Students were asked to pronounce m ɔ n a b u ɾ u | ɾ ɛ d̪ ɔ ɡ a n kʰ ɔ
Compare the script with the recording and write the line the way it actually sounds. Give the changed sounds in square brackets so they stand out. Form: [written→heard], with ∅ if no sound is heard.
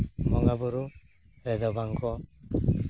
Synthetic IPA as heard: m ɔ [n→ŋ] a b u ɾ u | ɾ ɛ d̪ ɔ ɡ a [n→ŋ] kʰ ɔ